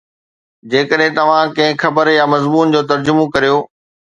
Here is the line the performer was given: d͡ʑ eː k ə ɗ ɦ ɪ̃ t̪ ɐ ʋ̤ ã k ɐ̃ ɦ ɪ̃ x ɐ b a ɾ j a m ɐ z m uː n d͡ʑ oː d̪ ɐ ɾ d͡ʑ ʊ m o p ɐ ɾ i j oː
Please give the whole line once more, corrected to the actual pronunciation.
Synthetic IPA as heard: d͡ʑ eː k ə ɗ ɦ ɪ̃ t̪ ɐ ʋ̤ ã k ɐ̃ ɦ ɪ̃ x ɐ b ə ɾ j a m ɐ z m uː n d͡ʑ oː t̪ ɐ ɾ d͡ʑ ʊ m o k ɐ ɾ i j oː